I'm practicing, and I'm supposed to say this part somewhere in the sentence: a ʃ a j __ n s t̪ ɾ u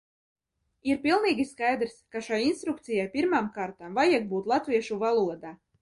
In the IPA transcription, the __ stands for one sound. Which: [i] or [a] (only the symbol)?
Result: i